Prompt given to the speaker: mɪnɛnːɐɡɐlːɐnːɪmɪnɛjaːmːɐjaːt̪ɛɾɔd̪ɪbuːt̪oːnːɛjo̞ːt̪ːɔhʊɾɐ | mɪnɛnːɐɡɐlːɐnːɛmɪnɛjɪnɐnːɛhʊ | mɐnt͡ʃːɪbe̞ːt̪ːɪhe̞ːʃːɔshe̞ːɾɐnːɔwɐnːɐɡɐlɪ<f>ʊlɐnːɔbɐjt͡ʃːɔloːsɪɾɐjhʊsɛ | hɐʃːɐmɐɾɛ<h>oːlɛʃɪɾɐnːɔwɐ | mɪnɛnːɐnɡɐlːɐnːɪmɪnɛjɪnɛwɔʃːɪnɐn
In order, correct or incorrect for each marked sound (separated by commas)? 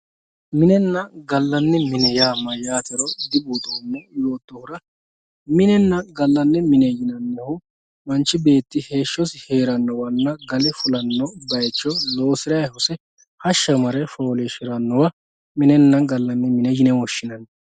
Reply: correct, incorrect